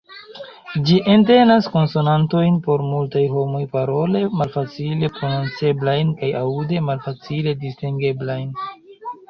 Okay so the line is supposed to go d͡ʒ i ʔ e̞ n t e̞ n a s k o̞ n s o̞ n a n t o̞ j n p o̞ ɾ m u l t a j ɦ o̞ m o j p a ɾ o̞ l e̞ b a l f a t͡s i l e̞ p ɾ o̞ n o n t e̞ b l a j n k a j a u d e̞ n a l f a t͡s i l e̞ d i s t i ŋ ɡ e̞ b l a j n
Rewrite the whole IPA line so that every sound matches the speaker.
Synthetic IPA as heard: d͡ʒ i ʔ e̞ n t e̞ n a s k o̞ n s o̞ n a n t o̞ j n p o̞ ɾ m u l t a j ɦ o̞ m o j p a ɾ o̞ l e̞ m a l f a t͡s i l e̞ p ɾ o̞ n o n t͡s e̞ b l a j n k a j a u d e̞ m a l f a t͡s i l e̞ d i s t i ŋ ɡ e̞ b l a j n